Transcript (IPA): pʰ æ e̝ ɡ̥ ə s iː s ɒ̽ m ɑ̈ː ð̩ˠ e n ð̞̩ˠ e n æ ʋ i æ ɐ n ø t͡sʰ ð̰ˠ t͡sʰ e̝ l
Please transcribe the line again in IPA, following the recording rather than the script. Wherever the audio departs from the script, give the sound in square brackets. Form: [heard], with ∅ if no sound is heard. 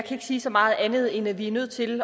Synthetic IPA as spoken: [kʰ] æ e̝ ɡ̥ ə s iː s ɒ̽ m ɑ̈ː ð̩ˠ [æ] n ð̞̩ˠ e n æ ʋ i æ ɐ n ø [∅] ð̰ˠ t͡sʰ e̝ l